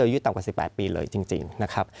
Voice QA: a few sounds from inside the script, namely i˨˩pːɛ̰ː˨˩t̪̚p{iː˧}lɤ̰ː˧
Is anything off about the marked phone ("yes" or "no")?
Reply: no